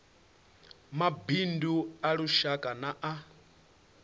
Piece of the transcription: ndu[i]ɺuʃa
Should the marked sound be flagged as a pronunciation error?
yes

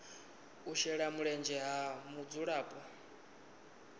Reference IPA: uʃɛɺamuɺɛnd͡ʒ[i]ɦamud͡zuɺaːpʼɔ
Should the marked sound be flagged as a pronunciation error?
yes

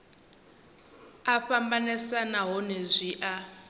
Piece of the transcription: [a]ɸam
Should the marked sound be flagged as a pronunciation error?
no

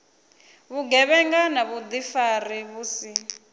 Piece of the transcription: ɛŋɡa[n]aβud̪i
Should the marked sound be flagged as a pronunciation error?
no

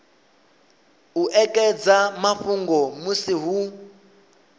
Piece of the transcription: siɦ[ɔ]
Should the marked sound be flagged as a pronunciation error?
yes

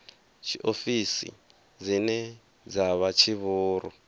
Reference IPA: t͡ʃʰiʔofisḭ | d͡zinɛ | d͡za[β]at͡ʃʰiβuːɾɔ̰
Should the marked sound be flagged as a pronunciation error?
no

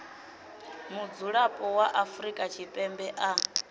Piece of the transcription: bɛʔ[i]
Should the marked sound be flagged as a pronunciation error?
yes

